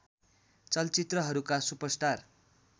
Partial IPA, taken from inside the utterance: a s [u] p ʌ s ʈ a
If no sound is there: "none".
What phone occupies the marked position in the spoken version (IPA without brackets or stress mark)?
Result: u